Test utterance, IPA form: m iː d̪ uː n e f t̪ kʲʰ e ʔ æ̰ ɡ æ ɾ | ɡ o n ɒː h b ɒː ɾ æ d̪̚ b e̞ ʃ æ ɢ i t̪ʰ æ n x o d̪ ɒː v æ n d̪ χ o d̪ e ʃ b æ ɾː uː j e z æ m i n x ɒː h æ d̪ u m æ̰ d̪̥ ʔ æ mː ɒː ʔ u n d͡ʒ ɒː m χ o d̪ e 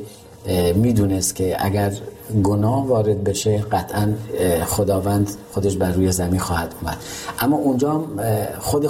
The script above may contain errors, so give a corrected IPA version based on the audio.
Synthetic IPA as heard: m iː d̪ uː n e s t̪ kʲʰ e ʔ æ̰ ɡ æ ɾ | ɡ o n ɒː h v ɒː ɾ e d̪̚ b e̞ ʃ e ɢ æ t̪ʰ æ n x o d̪ ɒː v æ n d̪ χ o d̪ e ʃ b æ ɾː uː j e z æ m i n x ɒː h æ d̪ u m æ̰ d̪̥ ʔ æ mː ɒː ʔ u n d͡ʒ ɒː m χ o d̪ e